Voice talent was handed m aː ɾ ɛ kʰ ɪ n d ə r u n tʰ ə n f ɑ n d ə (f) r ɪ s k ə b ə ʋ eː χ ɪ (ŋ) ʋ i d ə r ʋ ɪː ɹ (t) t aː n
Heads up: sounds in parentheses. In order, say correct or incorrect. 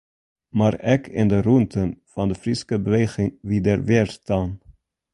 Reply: correct, correct, incorrect

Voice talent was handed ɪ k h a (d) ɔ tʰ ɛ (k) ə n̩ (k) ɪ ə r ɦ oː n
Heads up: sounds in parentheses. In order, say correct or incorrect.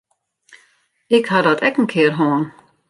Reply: correct, correct, incorrect

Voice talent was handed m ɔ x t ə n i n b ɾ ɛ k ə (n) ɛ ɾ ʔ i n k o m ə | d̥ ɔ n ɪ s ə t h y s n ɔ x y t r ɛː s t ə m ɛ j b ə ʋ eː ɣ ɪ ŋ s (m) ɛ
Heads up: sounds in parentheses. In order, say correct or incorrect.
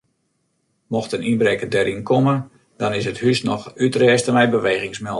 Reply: incorrect, correct

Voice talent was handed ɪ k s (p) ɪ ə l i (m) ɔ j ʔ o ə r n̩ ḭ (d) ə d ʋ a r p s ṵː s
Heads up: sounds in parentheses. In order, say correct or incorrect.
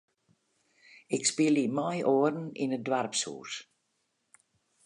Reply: correct, correct, incorrect

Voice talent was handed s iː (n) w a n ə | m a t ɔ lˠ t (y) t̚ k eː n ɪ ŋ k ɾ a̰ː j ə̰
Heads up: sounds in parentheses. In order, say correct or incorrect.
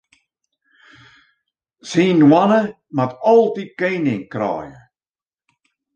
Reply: correct, incorrect

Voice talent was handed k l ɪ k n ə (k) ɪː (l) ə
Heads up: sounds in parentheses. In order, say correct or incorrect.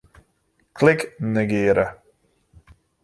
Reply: incorrect, incorrect

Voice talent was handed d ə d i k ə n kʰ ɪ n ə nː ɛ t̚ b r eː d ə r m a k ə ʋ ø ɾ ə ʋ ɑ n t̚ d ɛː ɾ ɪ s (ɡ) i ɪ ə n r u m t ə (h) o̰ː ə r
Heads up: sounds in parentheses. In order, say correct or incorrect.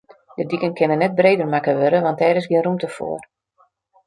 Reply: correct, incorrect

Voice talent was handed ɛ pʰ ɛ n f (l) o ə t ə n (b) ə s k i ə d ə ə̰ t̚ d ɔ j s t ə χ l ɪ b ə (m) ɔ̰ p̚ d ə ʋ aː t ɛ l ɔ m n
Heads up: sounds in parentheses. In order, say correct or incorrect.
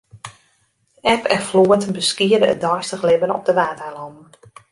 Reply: correct, correct, incorrect

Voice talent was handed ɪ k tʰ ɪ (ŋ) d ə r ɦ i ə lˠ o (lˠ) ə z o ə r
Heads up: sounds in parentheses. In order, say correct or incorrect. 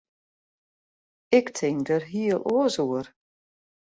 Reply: correct, incorrect

